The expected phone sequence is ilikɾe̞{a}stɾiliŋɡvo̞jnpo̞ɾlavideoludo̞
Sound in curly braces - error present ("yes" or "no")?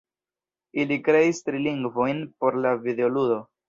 yes